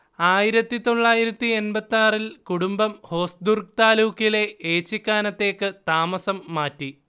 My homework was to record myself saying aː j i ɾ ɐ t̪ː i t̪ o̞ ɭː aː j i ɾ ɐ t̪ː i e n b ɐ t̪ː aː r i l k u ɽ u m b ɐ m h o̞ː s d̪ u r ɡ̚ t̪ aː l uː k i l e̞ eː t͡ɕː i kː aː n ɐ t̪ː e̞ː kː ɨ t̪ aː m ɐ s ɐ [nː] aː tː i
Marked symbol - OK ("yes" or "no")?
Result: no